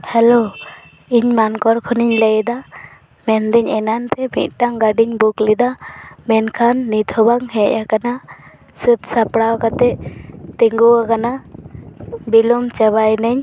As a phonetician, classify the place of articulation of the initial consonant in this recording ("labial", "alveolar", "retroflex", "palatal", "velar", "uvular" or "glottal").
glottal